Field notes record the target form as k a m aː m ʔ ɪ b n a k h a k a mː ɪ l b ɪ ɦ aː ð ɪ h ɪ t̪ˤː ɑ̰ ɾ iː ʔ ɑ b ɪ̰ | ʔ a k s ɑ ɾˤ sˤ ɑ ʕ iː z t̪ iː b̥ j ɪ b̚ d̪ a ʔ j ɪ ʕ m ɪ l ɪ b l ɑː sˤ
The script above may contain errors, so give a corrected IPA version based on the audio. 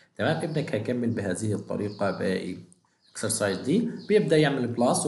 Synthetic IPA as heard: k a m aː m ʔ ɪ b n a k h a k a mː ɪ l b ɪ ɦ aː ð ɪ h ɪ t̪ˤː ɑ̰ ɾ iː q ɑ b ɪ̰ | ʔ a k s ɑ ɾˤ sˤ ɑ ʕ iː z d̪ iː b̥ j ɪ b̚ d̪ a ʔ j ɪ ʕ m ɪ l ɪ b l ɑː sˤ